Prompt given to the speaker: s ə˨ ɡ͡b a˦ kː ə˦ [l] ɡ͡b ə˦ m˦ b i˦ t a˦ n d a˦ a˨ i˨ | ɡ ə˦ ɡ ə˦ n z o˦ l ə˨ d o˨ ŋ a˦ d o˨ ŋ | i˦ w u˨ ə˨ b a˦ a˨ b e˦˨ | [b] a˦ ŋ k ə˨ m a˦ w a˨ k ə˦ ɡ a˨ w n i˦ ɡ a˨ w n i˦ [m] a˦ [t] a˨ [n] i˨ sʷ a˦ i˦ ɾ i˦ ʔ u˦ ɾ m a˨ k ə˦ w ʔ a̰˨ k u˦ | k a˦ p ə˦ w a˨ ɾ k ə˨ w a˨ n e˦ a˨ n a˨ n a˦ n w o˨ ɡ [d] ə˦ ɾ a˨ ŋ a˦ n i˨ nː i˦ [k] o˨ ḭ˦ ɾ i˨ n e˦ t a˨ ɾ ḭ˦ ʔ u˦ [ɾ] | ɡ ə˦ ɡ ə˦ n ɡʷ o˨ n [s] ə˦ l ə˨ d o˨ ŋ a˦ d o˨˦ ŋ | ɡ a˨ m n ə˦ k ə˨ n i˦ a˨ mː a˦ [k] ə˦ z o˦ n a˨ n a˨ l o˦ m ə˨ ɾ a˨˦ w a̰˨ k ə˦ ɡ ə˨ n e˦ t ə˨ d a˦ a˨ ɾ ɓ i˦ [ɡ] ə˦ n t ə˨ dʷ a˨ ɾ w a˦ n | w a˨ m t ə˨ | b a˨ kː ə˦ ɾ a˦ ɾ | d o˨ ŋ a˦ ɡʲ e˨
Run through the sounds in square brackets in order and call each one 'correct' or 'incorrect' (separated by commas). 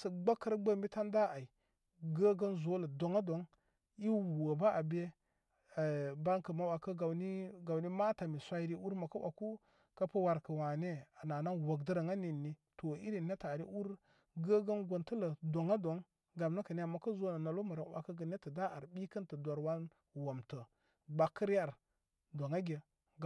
incorrect, correct, correct, correct, incorrect, correct, incorrect, correct, incorrect, correct, incorrect